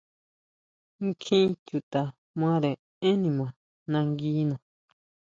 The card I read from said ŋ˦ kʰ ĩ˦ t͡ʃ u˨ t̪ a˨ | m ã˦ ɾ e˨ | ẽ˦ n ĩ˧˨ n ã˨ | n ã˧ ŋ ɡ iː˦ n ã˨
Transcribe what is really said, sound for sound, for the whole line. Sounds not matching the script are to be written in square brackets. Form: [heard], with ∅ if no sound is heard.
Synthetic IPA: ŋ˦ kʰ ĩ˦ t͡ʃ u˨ t̪ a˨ | m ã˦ ɾ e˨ | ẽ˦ n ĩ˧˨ [m] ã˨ | n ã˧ ŋ ɡ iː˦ n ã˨